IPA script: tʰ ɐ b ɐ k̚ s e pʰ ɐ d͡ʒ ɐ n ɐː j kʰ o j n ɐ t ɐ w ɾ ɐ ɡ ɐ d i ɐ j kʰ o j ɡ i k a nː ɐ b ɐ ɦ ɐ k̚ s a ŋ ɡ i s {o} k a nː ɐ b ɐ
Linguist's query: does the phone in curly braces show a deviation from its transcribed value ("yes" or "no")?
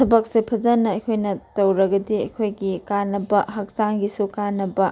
yes